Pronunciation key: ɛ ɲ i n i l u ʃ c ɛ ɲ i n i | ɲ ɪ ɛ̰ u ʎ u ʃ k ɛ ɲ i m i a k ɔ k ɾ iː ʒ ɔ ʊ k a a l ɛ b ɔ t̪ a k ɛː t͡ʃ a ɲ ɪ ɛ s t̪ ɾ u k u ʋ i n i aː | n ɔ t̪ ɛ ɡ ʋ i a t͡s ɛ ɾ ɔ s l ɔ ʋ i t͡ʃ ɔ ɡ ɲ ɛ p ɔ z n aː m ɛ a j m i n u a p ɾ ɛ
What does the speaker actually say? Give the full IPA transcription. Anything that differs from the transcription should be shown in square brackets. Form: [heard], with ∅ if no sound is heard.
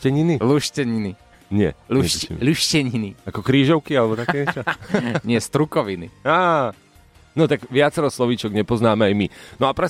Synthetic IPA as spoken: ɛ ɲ i n i l u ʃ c ɛ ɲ i n i | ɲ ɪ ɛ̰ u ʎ u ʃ [c] ɛ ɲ i [n] i a k ɔ k ɾ iː ʒ ɔ ʊ k [i] a l ɛ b ɔ t̪ a k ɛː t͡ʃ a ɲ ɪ ɛ s t̪ ɾ u k [ɔ] ʋ i n i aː | n ɔ t̪ [a] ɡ ʋ [ɪ] a t͡s ɛ ɾ ɔ s l ɔ ʋ i t͡ʃ ɔ ɡ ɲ ɛ p ɔ z n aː m ɛ a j m i n [ɔ] a p ɾ ɛ